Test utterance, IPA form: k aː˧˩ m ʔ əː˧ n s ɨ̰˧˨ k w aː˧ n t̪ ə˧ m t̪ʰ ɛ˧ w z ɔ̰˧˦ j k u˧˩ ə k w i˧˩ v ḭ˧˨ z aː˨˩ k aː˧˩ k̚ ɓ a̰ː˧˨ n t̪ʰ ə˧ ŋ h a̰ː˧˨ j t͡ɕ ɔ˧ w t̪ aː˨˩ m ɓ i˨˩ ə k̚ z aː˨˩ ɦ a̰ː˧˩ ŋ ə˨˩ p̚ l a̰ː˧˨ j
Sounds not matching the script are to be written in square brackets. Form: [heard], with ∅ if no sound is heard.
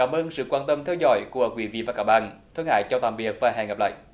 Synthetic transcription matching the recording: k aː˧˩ m ʔ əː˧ n s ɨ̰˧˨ k w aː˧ n t̪ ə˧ m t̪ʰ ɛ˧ w z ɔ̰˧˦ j k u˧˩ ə k w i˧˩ v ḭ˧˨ [v] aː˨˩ k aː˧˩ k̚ ɓ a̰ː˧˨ n t̪ʰ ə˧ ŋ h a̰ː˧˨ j t͡ɕ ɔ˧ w t̪ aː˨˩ m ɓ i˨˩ ə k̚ [v] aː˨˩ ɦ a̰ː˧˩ ŋ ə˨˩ p̚ l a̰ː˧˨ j